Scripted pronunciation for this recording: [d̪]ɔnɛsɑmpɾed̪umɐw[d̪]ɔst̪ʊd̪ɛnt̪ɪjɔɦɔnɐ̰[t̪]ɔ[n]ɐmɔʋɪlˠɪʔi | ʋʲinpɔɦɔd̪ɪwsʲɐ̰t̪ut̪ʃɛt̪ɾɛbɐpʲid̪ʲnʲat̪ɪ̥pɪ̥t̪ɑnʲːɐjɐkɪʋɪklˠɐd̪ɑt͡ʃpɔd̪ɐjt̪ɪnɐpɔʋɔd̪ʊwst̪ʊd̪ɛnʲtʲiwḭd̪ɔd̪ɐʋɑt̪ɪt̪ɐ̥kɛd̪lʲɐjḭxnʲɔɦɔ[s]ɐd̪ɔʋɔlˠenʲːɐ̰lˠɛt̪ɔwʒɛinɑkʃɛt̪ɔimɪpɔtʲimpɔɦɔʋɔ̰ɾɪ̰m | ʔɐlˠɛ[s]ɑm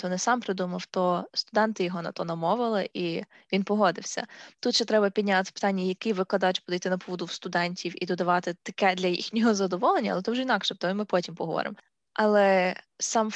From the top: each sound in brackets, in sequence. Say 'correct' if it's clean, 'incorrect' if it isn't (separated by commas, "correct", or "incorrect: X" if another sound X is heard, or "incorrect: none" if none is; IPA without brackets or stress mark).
incorrect: t̪, incorrect: t̪, correct, correct, incorrect: z, correct